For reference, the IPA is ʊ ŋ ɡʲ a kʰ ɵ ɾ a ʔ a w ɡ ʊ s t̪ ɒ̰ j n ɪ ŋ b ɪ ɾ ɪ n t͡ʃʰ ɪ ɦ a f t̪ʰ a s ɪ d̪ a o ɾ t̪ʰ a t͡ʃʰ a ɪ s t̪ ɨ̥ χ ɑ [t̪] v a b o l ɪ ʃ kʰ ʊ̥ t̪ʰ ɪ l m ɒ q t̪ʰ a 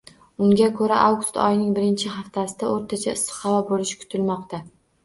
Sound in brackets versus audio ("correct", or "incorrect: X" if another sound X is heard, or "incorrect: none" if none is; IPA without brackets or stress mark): incorrect: none